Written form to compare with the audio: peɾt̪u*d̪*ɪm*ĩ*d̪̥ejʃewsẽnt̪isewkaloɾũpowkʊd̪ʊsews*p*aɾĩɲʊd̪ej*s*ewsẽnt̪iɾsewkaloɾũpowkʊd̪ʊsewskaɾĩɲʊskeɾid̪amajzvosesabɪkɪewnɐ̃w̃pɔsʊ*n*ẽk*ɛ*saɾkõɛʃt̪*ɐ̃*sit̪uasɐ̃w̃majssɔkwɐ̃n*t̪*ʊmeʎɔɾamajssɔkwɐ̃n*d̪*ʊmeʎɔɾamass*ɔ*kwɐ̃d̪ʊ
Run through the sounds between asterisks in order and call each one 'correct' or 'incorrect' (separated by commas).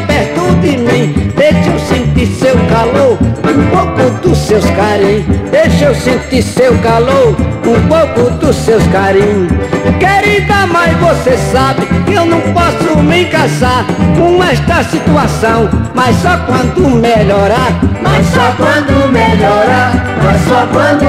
correct, correct, incorrect, incorrect, incorrect, incorrect, incorrect, incorrect, correct, correct